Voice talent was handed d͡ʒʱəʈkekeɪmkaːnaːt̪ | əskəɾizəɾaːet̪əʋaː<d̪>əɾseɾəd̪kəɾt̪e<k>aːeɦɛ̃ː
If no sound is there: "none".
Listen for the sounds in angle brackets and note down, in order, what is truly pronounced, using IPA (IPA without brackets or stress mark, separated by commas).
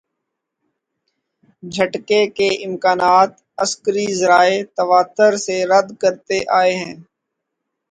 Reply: t̪, ʔ